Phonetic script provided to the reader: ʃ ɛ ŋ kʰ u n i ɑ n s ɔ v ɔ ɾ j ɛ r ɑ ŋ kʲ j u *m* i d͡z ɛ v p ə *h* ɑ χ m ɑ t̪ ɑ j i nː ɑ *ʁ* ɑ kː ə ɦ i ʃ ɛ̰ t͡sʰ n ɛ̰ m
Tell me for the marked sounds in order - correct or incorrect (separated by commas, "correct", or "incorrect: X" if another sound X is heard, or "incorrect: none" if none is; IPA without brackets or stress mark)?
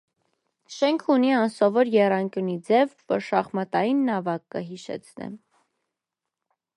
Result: incorrect: n, incorrect: ʃ, incorrect: v